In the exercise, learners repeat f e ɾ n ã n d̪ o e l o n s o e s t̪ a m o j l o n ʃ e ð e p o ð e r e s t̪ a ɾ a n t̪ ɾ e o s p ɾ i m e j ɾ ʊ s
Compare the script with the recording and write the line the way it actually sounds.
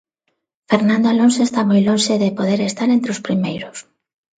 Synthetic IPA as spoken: f e ɾ n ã n d̪ o a l o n s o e s t̪ a m o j l o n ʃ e ð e p o ð e ɾ e s t̪ a ɾ e n t̪ ɾ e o s p ɾ i m e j ɾ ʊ s